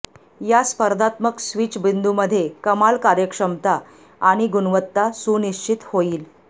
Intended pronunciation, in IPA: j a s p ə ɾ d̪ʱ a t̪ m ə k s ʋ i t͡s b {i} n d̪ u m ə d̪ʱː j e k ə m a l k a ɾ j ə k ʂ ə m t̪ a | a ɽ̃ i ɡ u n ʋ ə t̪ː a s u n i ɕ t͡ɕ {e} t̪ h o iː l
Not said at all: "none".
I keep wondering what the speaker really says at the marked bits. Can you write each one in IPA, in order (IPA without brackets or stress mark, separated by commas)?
i, i